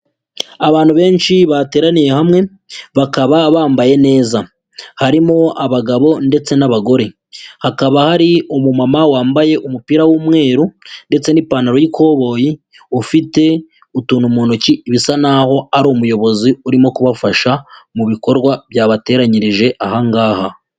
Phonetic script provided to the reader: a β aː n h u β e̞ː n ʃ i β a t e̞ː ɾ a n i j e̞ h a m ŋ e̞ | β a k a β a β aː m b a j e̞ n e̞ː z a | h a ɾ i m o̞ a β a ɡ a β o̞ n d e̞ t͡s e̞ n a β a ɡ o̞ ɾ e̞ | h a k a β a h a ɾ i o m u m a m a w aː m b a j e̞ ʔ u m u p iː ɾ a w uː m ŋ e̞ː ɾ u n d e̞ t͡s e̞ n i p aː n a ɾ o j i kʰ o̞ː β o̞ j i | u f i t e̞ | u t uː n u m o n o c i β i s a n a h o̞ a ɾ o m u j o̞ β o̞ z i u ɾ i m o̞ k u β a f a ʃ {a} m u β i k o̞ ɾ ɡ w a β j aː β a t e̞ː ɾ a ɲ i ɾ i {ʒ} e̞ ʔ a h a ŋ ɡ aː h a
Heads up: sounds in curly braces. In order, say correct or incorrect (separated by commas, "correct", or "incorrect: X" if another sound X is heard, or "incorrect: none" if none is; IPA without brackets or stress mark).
correct, correct